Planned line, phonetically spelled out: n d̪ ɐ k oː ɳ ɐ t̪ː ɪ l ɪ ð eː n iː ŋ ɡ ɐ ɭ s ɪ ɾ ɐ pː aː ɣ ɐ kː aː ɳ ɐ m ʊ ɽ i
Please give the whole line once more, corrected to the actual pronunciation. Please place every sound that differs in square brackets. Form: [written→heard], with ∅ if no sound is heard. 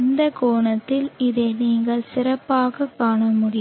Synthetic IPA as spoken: n d̪ ɐ k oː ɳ ɐ t̪ː ɪ l ɪ ð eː n iː ŋ ɡ ɐ ɭ s ɪ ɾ ɐ pː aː ɣ ɐ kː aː ɳ ɐ m ʊ ɽ [i→ɪ]